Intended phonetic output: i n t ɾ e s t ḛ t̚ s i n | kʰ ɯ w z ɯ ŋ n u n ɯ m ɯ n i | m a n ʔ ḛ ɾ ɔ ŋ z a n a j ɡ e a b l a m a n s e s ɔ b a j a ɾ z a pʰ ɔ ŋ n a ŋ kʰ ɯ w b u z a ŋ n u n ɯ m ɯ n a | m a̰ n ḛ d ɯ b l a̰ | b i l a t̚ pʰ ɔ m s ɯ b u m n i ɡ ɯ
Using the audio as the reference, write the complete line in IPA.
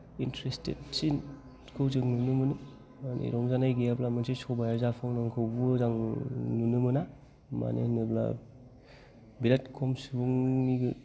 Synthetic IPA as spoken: i n t ɾ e s t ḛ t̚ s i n | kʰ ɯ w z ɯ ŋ n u n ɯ m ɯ n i | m a n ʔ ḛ ɾ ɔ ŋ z a n a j ɡ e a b l a m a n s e s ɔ b a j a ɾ z a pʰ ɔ ŋ n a ŋ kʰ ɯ w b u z a ŋ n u n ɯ m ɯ n a | m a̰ n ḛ n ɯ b l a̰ | b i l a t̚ kʰ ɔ m s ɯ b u ŋ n i ɡ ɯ